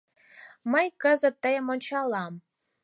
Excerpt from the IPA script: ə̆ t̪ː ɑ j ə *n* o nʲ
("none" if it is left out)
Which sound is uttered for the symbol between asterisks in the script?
m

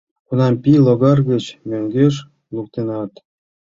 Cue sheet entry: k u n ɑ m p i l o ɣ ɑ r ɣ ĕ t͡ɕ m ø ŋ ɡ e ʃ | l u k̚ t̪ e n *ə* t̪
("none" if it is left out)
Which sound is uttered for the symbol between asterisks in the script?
ɑ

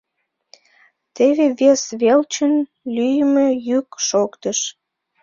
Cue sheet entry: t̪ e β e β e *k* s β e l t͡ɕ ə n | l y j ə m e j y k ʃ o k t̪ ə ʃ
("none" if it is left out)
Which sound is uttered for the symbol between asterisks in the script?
none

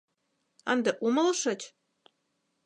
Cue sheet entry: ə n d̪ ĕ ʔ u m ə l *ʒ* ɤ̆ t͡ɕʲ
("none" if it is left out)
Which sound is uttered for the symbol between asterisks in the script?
ʃ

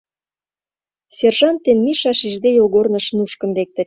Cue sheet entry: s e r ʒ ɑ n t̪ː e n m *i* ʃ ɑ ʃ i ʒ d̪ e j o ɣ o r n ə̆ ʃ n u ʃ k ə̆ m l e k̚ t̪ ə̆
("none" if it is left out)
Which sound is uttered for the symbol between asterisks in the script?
i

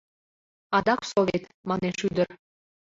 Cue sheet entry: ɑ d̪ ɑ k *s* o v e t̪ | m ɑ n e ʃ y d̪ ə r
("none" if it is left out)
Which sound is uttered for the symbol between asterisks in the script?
s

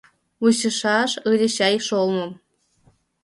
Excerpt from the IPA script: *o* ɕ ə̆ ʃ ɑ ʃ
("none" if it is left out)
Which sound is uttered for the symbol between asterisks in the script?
u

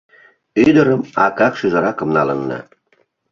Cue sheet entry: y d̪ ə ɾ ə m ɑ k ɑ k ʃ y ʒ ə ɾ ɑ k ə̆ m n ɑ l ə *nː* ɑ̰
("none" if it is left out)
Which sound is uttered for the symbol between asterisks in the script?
nː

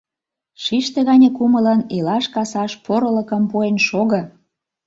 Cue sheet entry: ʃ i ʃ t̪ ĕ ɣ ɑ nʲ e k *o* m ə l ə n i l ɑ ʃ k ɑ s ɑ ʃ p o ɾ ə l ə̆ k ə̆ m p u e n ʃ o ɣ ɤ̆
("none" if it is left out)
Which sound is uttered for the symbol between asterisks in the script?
u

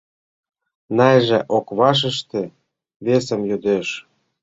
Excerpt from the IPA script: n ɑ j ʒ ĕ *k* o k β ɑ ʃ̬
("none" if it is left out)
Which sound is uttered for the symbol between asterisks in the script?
ʔ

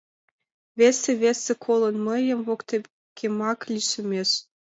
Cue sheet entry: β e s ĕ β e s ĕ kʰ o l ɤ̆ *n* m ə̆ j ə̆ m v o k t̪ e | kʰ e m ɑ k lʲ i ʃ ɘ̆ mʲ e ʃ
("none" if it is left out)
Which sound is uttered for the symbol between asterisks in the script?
n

